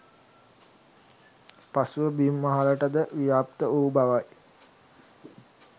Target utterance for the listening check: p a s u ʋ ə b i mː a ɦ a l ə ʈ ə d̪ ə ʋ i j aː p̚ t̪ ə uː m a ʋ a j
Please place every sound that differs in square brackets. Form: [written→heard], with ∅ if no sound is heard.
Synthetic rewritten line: p a s u ʋ ə b i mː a ɦ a l ə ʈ ə d̪ ə ʋ i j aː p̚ t̪ ə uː [m→b] a ʋ a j

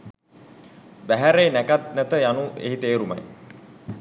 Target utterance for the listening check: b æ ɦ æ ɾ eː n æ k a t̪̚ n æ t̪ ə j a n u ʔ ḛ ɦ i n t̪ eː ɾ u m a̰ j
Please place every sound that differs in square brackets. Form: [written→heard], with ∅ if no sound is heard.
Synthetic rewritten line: b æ ɦ æ ɾ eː n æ k a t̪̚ n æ t̪ ə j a n u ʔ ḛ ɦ i [n→∅] t̪ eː ɾ u m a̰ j

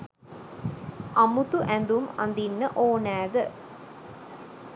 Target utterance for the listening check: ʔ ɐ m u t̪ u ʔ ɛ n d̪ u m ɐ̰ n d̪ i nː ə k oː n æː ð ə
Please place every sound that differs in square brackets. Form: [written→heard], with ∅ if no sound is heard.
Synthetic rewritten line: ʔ ɐ m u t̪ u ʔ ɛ n d̪ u m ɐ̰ n d̪ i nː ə [k→ʔ] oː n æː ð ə

